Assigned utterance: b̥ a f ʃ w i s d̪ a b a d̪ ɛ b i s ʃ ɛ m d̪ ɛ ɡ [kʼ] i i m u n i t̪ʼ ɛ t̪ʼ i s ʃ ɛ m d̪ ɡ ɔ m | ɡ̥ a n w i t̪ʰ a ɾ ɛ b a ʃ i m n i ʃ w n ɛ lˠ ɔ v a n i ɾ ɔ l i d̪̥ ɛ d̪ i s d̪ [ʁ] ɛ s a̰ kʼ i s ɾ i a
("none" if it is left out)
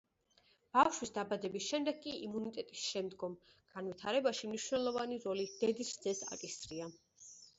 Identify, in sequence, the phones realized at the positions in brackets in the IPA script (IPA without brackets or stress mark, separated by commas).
kʼ, z